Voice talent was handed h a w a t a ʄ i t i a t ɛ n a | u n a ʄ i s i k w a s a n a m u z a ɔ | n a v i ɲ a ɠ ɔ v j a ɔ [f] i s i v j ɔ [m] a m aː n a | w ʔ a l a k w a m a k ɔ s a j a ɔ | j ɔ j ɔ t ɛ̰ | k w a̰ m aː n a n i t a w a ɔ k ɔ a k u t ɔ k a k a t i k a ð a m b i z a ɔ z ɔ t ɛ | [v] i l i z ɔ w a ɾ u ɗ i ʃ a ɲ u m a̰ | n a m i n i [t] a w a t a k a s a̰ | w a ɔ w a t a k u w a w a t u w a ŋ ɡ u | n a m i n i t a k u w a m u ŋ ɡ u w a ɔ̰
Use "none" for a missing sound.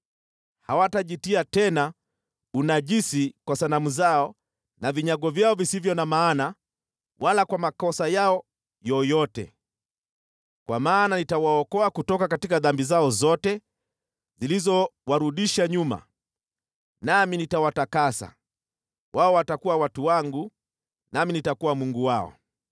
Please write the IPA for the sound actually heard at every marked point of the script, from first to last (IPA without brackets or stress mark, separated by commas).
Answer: v, n, z, t